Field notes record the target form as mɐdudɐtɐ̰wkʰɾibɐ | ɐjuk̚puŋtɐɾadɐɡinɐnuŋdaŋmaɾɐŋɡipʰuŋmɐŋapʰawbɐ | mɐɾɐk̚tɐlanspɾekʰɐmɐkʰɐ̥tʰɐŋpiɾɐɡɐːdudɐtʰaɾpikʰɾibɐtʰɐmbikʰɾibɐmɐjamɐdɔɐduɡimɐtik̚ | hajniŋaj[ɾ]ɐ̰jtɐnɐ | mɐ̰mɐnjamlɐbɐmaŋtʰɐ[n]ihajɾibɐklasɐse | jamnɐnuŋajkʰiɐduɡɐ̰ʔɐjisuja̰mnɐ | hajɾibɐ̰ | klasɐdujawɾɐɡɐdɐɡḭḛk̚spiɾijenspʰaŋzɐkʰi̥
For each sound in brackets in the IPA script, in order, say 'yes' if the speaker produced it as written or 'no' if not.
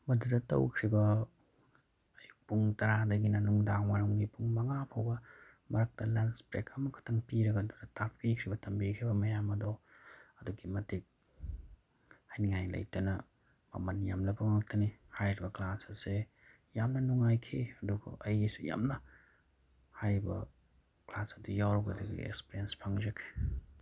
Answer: no, yes

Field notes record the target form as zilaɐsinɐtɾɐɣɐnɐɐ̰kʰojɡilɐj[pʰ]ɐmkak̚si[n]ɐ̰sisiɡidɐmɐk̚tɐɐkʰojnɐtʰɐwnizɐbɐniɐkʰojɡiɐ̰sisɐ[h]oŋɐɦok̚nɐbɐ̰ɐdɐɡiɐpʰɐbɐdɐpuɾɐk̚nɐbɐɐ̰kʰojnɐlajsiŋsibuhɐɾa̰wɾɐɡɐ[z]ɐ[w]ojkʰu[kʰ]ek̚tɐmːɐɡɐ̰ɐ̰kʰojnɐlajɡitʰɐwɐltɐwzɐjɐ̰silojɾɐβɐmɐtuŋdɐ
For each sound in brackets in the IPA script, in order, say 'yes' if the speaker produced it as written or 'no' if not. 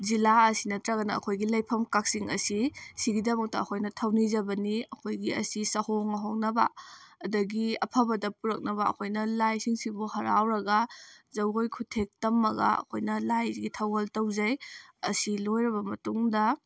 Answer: yes, no, yes, yes, yes, no

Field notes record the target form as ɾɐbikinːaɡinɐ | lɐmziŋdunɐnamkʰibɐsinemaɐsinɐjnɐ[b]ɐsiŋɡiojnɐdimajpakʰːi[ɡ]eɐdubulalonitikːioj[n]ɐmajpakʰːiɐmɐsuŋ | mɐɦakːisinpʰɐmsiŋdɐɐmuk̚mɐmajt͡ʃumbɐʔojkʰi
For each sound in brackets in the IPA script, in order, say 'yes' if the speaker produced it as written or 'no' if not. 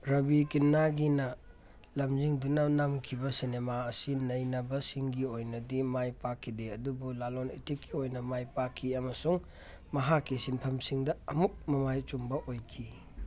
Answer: yes, no, yes

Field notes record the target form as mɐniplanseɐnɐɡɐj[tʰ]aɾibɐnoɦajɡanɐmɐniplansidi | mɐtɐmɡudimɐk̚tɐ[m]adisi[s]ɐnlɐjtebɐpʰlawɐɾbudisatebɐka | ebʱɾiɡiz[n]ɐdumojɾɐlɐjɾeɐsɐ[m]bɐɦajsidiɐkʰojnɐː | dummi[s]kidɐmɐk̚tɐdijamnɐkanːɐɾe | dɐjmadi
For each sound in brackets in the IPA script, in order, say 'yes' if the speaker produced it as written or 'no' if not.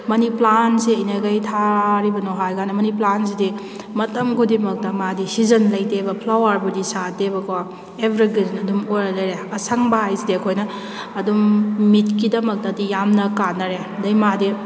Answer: yes, yes, no, yes, no, no

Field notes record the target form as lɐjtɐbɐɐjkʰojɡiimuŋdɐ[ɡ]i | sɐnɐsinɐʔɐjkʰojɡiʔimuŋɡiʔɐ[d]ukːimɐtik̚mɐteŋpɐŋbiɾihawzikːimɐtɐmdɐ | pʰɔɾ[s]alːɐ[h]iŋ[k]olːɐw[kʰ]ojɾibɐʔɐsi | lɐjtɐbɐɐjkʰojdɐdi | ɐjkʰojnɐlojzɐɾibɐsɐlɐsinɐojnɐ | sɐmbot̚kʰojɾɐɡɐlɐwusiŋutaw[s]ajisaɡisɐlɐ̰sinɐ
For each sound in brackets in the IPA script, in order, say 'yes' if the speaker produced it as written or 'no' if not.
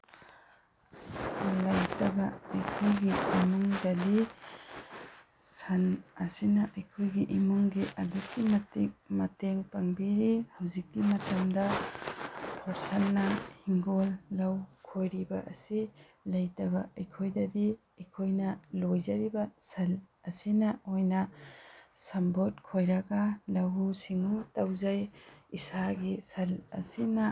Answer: no, yes, yes, yes, no, yes, no

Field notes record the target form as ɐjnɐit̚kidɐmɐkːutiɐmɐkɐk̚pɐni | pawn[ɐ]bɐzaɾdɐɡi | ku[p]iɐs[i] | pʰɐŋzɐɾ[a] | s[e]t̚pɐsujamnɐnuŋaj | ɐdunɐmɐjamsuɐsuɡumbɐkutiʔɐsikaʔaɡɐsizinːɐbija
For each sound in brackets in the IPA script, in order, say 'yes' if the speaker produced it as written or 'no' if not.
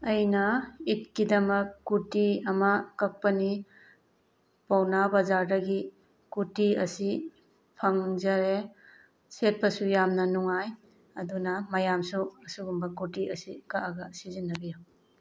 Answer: no, no, yes, no, yes

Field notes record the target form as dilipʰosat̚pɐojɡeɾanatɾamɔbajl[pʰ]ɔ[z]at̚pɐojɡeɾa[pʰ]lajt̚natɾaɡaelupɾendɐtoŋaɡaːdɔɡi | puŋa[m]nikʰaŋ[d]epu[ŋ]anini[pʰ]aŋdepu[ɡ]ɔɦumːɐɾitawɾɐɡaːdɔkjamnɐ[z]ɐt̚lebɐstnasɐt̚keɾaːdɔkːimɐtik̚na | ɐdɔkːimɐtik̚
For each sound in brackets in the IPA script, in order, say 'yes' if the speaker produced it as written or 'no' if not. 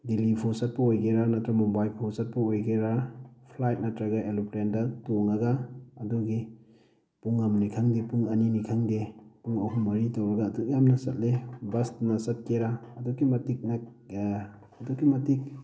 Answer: yes, no, yes, yes, yes, yes, no, no, no

